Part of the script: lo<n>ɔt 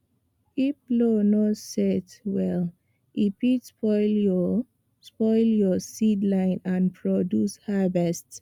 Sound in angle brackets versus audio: correct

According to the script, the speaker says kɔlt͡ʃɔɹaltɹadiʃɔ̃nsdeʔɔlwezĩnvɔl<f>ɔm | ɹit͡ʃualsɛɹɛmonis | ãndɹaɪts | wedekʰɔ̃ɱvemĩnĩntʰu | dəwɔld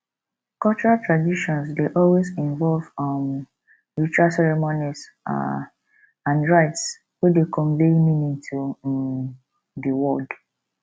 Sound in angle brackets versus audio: incorrect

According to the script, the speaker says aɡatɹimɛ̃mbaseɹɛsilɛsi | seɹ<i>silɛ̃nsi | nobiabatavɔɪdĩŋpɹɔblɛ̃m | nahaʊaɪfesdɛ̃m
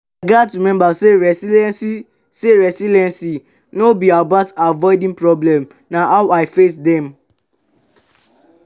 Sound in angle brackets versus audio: incorrect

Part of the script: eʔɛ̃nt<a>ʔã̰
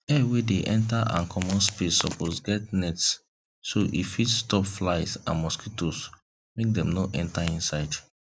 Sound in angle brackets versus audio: correct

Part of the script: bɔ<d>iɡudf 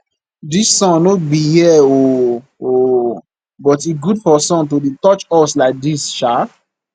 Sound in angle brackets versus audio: incorrect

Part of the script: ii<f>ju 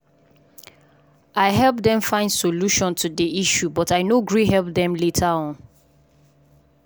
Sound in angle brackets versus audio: incorrect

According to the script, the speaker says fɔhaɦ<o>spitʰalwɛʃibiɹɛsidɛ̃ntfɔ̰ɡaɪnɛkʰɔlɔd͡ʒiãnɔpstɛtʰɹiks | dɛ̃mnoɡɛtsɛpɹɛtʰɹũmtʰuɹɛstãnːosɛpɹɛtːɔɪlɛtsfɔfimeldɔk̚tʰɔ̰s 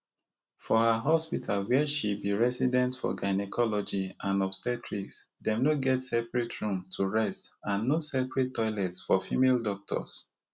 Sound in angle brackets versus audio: incorrect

